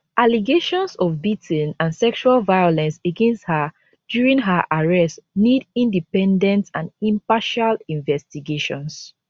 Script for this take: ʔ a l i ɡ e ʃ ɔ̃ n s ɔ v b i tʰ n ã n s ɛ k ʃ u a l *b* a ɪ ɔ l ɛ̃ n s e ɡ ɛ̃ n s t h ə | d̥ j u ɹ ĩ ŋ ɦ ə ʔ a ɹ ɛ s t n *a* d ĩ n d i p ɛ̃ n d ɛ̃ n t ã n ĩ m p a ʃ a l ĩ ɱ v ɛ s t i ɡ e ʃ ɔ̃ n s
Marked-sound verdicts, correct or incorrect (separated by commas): incorrect, incorrect